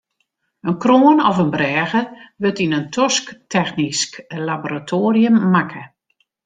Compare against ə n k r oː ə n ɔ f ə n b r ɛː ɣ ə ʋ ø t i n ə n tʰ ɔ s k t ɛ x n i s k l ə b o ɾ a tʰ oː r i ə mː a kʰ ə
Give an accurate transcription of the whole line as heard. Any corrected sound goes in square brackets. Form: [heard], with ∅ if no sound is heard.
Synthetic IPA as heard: ə n k r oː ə n ɔ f ə n b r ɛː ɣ ə ʋ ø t i n ə n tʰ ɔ s k t ɛ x n i s k l [a] b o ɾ a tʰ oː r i ə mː a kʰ ə